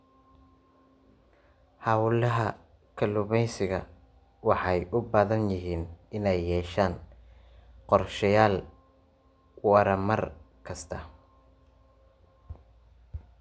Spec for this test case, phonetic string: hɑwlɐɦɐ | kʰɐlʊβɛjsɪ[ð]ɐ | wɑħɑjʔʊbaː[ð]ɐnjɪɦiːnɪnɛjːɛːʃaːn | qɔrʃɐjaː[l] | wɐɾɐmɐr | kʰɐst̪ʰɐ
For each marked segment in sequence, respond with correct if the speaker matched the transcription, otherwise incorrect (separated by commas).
incorrect, correct, correct